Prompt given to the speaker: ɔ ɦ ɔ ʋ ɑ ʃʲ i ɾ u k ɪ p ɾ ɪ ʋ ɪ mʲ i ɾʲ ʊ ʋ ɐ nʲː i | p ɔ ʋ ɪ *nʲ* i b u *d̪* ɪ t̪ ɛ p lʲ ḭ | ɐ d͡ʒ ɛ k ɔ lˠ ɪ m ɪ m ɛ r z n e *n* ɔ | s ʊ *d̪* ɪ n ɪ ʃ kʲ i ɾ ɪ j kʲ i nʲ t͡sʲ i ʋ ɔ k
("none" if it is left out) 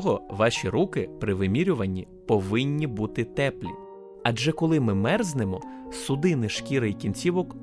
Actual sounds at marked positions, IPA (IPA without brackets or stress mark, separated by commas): nʲː, t̪, m, d̪